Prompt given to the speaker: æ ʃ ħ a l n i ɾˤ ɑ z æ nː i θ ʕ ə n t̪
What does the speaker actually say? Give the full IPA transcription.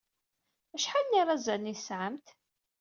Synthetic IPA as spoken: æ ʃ ħ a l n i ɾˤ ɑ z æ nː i s ʕ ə m t̪

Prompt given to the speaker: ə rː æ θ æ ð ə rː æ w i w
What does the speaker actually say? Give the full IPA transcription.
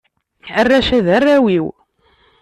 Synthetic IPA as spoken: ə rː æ ʃ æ ð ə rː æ w i w

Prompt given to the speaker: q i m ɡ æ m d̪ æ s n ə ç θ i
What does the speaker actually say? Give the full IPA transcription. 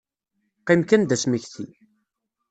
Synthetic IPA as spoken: q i m k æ n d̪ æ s m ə ç θ i

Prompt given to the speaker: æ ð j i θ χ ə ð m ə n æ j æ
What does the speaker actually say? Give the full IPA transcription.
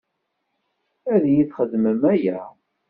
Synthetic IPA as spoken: æ ð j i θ χ ə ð m ə m æ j æ

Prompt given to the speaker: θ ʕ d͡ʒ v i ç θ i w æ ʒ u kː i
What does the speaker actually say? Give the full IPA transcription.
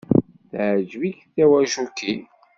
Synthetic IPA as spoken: θ ʕ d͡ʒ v i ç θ æ w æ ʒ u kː i

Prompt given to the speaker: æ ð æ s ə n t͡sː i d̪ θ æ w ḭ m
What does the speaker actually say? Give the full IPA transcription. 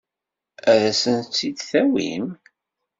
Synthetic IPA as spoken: æ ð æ s ə n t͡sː i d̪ θ æ w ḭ m

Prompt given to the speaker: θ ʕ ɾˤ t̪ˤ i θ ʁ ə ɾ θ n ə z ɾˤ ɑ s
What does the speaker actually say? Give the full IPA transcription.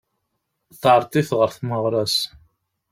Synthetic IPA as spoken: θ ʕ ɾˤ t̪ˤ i θ ʁ ə ɾ θ m ə ʁ ɾˤ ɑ s

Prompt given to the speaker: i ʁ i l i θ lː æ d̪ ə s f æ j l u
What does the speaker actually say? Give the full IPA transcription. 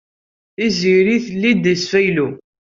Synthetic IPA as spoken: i z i ɾ i θ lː i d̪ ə s f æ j l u

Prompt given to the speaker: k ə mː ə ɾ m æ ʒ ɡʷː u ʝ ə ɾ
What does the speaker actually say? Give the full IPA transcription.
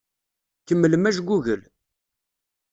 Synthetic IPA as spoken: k ə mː ə l m æ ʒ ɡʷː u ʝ ə l

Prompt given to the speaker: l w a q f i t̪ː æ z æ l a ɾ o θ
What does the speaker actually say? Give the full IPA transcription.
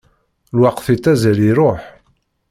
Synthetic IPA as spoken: l w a q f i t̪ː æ z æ l i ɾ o ħ

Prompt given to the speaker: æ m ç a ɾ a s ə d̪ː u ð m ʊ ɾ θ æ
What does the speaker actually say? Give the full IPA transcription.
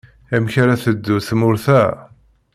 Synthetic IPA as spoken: æ m ç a ɾ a θ ə d̪ː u θ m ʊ ɾ θ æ

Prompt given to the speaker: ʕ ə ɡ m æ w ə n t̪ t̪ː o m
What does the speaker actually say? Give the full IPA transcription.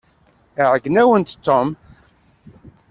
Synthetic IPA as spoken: ʕ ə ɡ n æ w ə n t̪ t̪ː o m

